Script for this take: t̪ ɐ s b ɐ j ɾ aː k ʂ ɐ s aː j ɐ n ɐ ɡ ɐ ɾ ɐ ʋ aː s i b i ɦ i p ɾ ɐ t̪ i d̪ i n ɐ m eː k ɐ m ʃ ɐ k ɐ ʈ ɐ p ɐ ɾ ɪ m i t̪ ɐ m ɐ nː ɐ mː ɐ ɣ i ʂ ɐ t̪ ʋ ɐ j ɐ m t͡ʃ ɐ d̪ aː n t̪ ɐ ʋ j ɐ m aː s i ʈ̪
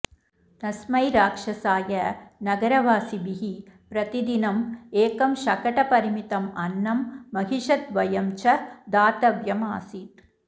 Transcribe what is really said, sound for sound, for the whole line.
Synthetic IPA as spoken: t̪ ɐ s m ɐ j ɾ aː k ʂ ɐ s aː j ɐ n ɐ ɡ ɐ ɾ ɐ ʋ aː s i b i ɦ i p ɾ ɐ t̪ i d̪ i n ɐ m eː k ɐ m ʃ ɐ k ɐ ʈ ɐ p ɐ ɾ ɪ m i t̪ ɐ m ɐ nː ɐ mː ɐ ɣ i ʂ ɐ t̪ ʋ ɐ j ɐ m t͡ʃ ɐ d̪ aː t̪ ɐ ʋ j ɐ m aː s i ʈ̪